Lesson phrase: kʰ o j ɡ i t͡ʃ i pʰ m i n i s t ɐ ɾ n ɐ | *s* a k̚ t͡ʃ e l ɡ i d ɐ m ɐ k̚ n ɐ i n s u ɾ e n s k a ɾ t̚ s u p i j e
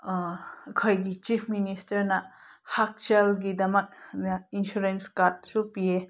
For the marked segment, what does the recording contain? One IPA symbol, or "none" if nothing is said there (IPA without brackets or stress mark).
h